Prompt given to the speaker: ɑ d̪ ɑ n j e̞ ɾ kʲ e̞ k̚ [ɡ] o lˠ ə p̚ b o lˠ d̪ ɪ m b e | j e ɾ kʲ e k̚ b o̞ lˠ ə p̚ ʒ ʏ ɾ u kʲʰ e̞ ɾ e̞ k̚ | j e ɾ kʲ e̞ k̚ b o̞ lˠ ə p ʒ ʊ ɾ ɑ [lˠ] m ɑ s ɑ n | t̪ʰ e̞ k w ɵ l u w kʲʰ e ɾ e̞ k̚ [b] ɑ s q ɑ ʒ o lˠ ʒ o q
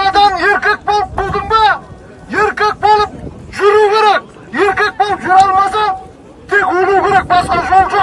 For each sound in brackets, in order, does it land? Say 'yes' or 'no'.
no, yes, yes

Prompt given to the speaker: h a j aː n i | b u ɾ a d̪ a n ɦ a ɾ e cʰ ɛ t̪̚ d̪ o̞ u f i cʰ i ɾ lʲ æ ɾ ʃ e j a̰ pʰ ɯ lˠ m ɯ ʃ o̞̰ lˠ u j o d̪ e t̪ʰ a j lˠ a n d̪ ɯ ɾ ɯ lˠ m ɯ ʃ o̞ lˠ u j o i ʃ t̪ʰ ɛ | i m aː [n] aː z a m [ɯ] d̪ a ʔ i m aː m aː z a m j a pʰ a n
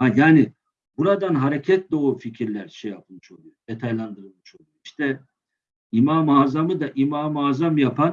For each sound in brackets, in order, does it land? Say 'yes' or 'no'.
no, yes

